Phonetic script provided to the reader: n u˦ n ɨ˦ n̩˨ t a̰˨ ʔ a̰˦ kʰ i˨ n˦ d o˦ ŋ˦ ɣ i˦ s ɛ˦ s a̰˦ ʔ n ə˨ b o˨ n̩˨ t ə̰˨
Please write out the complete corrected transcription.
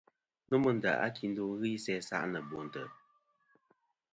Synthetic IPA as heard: n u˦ m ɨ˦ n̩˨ d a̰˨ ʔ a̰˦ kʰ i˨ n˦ d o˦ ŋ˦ ɣ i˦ s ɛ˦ s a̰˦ ʔ n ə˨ b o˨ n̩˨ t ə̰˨